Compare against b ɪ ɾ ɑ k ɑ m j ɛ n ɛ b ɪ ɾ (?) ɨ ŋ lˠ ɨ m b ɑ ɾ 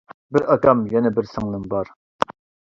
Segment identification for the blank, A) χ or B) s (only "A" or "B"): B